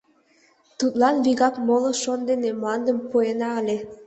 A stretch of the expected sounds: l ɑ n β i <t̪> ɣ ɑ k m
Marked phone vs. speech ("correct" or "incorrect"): incorrect